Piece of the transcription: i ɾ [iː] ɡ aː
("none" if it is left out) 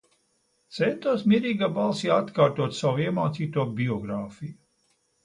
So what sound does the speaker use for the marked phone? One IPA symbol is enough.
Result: iː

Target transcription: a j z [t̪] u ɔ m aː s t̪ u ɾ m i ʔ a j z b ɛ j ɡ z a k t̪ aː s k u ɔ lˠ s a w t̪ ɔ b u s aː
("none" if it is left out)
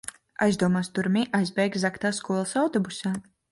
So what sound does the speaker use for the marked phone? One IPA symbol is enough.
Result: d̪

